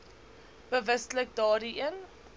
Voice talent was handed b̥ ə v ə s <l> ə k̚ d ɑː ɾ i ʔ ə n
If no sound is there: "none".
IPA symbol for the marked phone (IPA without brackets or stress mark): l